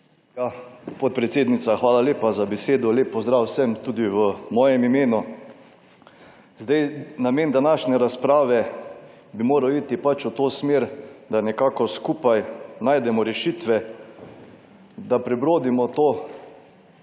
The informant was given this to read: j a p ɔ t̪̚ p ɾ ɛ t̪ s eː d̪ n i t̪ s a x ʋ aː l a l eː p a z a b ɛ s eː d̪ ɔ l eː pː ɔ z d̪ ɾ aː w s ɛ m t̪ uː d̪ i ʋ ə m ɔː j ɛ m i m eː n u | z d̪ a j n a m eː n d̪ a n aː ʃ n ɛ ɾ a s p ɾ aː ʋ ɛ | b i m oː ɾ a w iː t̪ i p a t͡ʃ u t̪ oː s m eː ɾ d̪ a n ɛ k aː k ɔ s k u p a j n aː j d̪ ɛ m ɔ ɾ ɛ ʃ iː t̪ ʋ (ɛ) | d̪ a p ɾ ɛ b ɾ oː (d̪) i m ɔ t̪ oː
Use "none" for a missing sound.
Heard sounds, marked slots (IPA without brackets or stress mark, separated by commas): ɛ, d̪